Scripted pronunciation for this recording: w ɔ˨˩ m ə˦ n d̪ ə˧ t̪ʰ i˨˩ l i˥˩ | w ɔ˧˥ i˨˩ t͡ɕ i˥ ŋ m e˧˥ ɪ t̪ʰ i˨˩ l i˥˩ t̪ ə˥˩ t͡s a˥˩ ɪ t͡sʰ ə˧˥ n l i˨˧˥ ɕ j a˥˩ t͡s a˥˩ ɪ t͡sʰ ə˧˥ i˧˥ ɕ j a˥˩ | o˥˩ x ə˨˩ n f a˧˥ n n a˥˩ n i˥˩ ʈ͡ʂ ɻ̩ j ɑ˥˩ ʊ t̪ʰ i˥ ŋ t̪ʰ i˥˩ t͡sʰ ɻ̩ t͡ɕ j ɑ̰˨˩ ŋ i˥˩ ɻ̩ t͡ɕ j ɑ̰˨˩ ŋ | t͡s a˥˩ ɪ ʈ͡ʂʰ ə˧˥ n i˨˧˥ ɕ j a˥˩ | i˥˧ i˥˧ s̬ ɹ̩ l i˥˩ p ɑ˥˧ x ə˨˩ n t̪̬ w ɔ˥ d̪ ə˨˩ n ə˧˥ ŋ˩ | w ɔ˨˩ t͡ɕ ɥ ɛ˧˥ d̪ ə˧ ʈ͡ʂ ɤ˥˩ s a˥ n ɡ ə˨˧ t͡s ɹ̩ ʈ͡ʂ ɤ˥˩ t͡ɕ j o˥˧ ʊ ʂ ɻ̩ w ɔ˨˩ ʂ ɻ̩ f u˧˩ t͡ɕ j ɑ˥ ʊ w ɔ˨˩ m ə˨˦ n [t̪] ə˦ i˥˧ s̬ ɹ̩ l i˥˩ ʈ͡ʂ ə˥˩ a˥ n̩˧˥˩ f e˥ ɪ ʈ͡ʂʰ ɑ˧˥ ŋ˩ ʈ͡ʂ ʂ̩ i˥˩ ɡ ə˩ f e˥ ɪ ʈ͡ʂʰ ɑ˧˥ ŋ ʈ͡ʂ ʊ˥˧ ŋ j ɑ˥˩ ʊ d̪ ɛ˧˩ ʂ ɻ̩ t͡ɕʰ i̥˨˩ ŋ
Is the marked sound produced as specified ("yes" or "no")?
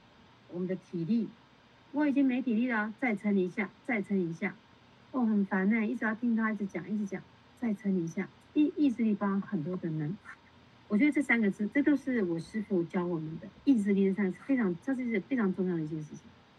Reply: no